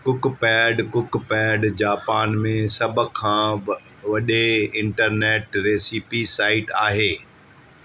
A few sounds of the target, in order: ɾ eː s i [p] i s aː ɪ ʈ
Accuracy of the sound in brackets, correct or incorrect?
correct